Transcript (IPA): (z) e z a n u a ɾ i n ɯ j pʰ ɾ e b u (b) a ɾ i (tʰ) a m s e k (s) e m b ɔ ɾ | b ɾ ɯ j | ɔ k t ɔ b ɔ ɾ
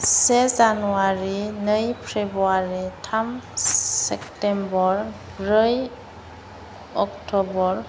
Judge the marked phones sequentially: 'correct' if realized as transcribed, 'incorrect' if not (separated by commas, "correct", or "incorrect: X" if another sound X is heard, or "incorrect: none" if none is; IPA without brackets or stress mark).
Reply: incorrect: s, incorrect: none, correct, incorrect: t